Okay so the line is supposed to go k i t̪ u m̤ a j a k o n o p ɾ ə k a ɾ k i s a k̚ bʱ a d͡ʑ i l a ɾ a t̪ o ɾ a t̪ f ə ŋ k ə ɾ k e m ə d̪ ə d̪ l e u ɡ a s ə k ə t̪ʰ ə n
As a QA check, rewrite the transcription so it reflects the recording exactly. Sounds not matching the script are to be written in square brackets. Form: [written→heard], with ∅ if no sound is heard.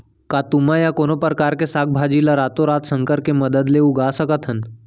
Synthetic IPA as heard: k [i→a] t̪ u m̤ a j a k o n o p ɾ ə k a ɾ k [i→e] s a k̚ bʱ a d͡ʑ i l a ɾ a t̪ o ɾ a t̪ [f→s] ə ŋ k ə ɾ k e m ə d̪ ə d̪ l e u ɡ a s ə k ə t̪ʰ ə n